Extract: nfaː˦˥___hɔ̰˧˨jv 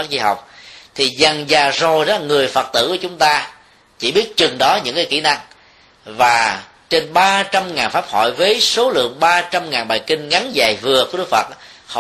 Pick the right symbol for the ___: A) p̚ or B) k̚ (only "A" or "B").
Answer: A